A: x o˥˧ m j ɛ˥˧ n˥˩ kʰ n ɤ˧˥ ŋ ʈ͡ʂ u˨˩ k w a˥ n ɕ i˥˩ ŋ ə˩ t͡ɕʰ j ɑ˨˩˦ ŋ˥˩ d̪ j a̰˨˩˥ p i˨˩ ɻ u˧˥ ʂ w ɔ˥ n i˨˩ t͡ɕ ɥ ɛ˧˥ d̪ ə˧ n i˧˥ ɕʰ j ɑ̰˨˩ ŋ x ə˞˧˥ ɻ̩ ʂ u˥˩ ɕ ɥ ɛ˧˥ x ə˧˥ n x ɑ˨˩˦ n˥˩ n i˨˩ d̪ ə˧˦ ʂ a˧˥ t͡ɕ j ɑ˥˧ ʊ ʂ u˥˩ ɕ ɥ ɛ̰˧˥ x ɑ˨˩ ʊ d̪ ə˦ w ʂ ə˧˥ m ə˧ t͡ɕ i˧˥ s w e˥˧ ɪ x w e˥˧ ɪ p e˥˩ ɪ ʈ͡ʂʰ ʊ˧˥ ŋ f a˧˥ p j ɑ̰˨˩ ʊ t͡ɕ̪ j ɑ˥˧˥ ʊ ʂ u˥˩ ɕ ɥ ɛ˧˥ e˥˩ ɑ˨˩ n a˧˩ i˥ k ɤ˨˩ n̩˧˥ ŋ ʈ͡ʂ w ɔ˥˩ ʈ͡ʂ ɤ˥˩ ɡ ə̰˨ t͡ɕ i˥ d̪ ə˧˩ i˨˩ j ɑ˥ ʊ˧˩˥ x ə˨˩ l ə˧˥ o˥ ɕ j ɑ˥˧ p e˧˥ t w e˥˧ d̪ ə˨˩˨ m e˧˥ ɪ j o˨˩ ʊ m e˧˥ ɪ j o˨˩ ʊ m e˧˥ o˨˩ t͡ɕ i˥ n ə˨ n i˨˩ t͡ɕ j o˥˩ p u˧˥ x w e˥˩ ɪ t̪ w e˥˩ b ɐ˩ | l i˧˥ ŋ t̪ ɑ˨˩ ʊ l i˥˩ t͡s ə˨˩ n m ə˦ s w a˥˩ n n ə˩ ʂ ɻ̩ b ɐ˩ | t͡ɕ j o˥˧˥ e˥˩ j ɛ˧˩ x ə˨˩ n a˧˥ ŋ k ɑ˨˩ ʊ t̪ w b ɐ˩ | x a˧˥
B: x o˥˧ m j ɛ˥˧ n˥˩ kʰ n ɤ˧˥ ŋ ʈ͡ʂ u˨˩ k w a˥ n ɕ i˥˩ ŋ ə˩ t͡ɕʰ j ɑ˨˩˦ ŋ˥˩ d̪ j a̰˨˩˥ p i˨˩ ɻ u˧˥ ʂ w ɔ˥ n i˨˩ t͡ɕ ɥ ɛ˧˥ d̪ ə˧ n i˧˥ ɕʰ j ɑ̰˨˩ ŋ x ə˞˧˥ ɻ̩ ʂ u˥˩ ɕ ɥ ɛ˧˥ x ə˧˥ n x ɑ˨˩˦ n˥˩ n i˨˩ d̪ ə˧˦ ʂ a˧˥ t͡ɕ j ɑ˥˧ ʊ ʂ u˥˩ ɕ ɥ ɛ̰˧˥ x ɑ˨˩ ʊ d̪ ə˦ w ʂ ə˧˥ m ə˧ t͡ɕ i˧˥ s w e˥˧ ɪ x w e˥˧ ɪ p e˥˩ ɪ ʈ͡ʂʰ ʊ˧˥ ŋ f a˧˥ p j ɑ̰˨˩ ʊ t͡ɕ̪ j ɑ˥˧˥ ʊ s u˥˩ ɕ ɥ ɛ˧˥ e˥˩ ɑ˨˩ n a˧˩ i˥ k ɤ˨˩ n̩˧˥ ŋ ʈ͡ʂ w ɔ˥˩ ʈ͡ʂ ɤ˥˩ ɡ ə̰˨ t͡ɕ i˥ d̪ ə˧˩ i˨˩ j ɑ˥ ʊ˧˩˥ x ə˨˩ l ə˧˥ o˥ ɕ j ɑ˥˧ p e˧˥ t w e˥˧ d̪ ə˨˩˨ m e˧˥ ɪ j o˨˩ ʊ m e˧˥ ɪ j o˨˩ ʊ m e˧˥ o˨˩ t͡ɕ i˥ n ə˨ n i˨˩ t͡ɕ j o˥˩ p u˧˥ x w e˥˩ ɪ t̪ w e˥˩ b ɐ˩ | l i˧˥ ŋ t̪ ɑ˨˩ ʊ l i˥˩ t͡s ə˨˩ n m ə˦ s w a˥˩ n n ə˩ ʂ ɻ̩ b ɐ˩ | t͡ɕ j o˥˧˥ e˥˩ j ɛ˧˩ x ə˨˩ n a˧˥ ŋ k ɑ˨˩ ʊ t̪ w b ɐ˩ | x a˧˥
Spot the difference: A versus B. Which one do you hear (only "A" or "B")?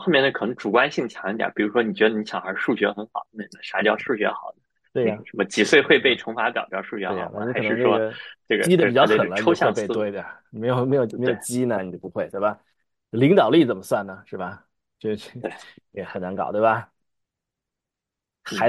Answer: A